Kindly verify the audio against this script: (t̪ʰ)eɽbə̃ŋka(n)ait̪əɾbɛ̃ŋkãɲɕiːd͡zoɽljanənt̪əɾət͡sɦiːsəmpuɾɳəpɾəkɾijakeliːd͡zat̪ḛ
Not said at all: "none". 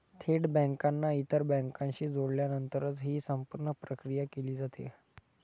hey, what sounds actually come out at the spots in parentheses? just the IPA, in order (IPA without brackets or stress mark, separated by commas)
t̪ʰ, nː